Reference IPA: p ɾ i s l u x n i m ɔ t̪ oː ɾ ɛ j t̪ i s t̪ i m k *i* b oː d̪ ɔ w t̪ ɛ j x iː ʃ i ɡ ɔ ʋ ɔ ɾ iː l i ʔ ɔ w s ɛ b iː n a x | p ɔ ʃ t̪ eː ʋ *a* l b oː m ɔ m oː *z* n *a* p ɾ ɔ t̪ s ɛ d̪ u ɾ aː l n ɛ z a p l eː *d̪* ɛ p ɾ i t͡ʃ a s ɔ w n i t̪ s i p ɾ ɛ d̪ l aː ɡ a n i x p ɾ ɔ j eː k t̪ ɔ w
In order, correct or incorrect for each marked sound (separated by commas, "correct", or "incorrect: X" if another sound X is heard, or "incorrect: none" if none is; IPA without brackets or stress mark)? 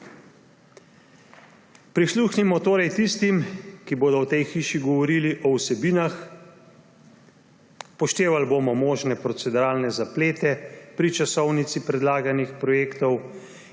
correct, correct, incorrect: ʒ, incorrect: ɛ, incorrect: t̪